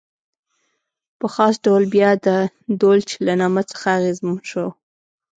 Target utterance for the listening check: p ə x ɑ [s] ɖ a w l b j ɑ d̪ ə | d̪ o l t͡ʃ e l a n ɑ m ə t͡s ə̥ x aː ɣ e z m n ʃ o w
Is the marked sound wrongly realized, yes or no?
no